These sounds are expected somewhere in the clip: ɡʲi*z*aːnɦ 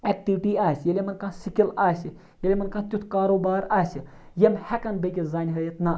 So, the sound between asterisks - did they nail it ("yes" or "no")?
yes